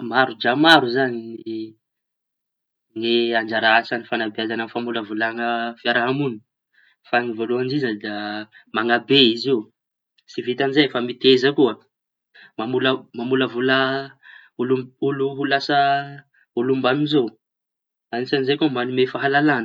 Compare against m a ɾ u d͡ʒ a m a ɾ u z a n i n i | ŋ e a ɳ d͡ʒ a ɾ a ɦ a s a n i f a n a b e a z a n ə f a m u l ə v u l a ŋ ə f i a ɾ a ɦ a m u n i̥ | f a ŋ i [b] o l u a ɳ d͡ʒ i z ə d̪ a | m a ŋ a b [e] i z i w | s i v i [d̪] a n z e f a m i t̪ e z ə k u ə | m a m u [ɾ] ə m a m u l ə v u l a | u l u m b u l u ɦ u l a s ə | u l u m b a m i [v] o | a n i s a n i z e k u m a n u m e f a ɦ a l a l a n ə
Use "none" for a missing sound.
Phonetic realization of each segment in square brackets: v, e, t̪, l, z

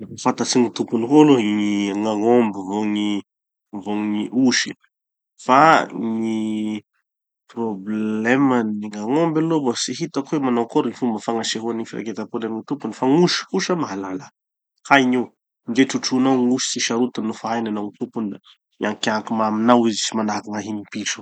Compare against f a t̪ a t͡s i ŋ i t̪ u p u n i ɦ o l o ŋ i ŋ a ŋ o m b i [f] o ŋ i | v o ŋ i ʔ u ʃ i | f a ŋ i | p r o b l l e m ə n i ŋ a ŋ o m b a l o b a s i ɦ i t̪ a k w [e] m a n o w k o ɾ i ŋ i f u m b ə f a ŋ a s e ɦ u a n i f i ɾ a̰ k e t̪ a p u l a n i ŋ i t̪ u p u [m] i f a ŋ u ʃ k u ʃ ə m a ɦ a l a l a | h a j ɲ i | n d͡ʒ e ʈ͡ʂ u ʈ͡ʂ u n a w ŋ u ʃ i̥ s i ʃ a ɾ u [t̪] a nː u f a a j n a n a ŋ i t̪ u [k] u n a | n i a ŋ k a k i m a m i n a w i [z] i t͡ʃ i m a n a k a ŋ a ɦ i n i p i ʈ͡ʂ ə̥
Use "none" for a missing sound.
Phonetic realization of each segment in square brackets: v, e, n, t̪, p, z

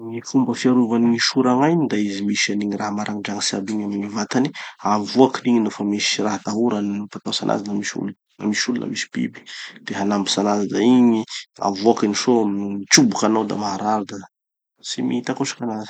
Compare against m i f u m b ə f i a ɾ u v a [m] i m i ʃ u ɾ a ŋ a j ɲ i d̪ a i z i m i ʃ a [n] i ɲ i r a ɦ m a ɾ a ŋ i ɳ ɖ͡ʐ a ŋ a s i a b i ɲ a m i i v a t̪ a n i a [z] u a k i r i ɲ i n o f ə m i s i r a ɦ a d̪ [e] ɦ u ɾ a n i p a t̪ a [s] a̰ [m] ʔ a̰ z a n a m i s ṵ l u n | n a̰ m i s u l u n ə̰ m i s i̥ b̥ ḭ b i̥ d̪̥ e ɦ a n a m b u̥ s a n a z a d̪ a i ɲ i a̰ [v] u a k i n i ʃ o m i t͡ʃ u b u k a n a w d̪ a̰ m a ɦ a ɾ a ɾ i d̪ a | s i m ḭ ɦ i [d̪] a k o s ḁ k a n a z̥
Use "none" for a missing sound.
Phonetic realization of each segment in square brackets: n, n, v, a, s, n, v, t̪

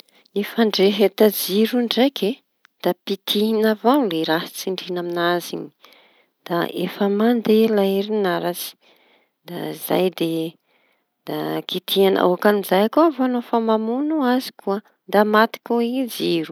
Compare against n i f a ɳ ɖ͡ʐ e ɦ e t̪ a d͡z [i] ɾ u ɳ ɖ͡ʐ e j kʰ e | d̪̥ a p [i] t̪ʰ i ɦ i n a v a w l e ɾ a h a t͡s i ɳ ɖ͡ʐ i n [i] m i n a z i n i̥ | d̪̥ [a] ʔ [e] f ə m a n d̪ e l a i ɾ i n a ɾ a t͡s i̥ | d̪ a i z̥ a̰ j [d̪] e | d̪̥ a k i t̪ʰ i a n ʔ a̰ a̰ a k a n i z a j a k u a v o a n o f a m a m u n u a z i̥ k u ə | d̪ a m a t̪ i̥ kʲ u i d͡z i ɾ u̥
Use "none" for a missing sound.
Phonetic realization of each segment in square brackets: i, i, a, a, e, d̪

